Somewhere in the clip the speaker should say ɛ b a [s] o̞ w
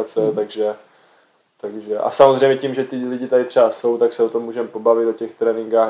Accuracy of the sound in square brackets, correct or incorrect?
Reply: correct